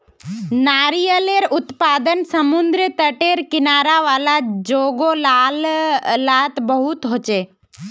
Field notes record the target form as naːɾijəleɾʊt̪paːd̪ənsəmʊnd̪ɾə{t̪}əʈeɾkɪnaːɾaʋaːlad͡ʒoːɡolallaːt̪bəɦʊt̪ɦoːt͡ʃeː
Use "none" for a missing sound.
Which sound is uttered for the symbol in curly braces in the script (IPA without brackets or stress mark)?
t̪